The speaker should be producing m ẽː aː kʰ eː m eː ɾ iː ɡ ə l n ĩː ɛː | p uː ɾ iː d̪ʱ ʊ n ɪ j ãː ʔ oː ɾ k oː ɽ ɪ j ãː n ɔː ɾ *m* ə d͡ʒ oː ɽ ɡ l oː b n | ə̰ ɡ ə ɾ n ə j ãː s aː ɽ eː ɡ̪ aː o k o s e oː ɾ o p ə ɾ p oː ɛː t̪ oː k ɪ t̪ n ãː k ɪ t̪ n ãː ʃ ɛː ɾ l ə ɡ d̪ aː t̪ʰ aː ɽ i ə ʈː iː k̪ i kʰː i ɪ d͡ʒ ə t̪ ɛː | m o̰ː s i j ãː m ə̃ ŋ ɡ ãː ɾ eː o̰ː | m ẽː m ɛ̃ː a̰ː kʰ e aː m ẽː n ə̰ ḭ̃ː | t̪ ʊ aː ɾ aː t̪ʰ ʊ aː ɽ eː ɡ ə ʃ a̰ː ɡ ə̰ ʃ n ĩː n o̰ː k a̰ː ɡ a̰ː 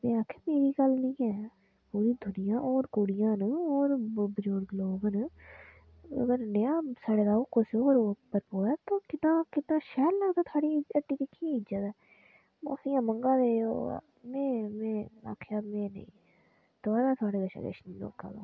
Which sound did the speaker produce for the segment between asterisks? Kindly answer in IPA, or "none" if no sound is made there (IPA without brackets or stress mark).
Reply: b